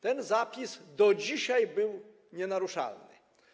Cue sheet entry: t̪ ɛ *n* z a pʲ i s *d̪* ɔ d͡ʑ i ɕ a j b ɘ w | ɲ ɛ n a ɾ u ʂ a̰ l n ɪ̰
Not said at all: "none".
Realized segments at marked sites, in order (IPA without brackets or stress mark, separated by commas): n, d̪